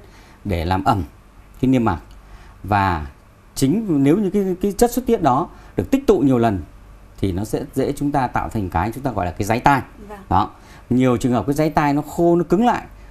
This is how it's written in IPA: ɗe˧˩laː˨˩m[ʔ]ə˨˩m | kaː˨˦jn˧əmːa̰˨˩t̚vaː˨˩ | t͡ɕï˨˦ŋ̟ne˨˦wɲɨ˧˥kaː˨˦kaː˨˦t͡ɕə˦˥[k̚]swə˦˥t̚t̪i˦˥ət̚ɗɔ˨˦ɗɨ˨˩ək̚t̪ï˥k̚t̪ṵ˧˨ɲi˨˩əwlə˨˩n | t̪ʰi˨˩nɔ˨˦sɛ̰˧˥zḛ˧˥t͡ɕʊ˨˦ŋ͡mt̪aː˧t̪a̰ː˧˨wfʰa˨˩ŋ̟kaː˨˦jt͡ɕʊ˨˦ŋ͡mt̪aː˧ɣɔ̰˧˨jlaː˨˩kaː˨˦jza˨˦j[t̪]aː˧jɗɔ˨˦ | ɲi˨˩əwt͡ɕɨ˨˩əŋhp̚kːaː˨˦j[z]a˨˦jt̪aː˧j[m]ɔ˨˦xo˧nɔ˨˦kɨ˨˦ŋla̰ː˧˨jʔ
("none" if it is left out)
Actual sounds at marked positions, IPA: ʔ, t̚, t̪, z, n

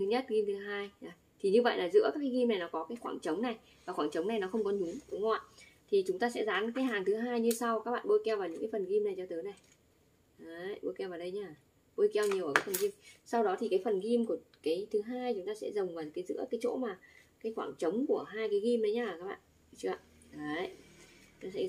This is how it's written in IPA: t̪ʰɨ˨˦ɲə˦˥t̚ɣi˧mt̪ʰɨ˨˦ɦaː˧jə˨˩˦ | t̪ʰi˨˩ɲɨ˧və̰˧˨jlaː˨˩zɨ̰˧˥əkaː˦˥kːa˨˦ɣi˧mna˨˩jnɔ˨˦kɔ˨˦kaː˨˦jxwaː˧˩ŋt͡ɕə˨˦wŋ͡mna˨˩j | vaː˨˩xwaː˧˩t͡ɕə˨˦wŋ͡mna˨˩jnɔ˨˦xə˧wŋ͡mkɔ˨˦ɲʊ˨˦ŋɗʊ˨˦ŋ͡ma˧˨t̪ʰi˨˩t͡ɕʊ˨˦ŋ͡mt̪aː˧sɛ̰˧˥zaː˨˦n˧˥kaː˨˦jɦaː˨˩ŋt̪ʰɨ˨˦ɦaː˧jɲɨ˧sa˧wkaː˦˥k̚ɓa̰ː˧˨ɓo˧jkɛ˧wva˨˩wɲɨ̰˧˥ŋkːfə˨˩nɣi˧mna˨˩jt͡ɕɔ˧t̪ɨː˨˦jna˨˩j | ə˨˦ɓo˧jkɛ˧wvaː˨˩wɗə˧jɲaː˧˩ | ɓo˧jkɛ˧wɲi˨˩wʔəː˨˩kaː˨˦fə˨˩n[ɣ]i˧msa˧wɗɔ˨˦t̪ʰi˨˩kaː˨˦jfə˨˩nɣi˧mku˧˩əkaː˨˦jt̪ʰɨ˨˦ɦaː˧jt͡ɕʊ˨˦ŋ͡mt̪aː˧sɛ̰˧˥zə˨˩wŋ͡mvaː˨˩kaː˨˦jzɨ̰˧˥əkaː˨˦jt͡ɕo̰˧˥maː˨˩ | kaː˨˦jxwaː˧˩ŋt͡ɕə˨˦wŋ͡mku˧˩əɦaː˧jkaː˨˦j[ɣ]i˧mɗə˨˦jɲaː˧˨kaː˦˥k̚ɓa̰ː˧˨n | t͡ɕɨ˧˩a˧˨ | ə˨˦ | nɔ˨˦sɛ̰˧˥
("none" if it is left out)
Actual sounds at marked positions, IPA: ɣ, ɣ

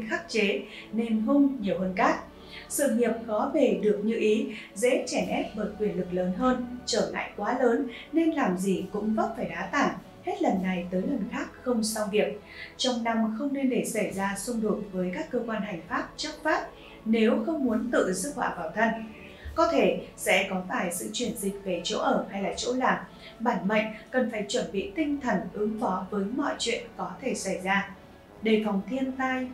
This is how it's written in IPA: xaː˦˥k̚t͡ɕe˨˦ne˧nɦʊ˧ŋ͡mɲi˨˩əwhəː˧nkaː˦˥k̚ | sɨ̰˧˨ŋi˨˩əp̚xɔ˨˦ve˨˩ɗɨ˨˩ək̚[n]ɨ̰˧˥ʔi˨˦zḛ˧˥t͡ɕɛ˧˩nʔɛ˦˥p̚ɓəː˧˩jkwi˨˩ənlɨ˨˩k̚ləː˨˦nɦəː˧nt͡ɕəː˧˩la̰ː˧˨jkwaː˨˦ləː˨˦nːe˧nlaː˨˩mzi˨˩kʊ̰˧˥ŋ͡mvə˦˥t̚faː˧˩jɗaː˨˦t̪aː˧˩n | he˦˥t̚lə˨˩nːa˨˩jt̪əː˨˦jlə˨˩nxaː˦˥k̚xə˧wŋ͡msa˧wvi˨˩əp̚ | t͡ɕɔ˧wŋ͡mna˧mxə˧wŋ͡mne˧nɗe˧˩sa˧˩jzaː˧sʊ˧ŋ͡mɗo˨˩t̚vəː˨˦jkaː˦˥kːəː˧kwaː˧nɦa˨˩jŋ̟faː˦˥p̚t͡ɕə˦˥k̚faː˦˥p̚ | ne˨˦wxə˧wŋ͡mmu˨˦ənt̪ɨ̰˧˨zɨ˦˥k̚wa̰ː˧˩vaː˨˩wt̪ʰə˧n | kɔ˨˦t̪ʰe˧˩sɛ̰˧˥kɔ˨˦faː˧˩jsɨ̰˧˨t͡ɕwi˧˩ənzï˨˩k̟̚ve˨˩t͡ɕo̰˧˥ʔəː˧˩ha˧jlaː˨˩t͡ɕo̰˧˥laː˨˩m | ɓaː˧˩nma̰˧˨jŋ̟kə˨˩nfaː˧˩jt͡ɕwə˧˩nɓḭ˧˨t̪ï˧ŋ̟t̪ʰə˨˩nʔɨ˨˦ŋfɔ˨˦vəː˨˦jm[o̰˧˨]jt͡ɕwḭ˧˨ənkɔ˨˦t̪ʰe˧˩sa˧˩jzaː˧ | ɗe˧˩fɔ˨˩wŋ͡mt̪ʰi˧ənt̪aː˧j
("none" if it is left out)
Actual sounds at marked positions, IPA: ɲ, ɔ̰˧˨

